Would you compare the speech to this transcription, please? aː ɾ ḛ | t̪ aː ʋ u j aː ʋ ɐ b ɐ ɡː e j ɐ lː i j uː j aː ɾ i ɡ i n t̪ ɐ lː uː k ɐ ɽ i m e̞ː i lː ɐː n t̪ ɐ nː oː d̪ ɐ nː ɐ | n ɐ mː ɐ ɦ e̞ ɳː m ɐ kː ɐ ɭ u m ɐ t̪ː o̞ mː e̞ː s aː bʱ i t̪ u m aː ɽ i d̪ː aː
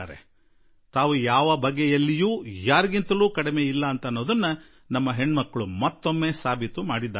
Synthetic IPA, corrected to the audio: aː ɾ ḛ | t̪ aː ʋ u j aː ʋ ɐ b ɐ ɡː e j ɐ lː i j uː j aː ɾ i ɡ i n t̪ ɐ l uː k ɐ ɽ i m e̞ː i lː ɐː n t̪ ɐ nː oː d̪ ɐ nː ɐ | n ɐ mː ɐ ɦ e̞ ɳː m ɐ kː ɐ ɭ u m ɐ t̪ː o̞ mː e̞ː s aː bʱ i t̪ u m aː ɽ i d̪ː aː